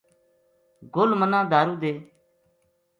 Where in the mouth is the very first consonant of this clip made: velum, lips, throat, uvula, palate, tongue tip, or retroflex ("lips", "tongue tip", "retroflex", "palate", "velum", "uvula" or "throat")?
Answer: velum